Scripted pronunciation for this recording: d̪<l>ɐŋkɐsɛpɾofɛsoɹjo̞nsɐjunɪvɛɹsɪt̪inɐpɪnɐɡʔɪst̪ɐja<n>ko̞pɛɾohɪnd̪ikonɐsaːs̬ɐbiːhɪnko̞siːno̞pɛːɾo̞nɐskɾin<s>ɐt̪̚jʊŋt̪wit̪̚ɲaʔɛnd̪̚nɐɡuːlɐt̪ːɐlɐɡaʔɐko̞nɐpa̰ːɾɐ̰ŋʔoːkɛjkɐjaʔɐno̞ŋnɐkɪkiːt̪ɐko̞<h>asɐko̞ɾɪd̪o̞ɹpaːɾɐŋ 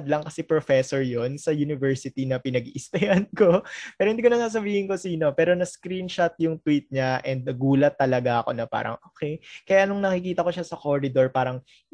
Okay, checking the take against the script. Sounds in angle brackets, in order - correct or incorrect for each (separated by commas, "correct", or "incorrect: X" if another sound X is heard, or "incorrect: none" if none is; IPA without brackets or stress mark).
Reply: correct, correct, incorrect: ʃ, incorrect: ʃ